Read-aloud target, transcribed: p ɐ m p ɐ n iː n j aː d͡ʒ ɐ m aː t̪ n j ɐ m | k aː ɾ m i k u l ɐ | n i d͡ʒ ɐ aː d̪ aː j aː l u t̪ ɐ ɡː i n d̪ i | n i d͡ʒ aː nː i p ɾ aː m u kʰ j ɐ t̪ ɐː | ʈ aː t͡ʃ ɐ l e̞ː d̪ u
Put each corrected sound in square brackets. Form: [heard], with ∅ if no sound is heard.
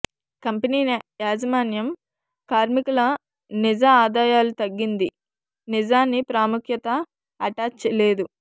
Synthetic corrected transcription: [k] ɐ m p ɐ n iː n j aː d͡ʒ ɐ m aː [∅] n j ɐ m | k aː ɾ m i k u l ɐ | n i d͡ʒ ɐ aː d̪ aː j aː l u t̪ ɐ ɡː i n d̪ i | n i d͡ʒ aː nː i p ɾ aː m u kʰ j ɐ t̪ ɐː | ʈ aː t͡ʃ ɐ l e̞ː d̪ u